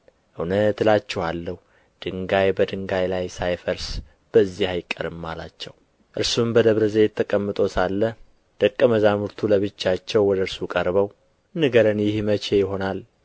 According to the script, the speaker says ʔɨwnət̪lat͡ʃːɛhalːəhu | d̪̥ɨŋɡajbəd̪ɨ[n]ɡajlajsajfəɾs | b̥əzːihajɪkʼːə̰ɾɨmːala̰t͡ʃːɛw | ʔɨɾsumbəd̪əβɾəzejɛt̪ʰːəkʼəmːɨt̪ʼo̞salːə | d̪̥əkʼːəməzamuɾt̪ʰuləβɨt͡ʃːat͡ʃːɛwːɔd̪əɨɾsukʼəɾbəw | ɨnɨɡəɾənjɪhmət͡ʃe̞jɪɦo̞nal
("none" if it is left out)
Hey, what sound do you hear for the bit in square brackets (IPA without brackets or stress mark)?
ŋ